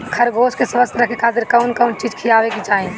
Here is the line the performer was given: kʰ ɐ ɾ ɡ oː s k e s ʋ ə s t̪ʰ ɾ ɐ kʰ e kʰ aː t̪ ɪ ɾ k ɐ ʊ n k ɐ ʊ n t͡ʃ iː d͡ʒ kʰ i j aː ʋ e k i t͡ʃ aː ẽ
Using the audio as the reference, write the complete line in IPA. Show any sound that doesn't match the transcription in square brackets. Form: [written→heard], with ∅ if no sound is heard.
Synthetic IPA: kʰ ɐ ɾ ɡ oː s k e s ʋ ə s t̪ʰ ɾ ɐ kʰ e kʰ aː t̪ ɪ ɾ k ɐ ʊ n k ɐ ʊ n t͡ʃ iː d͡ʒ kʰ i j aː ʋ e k i t͡ʃ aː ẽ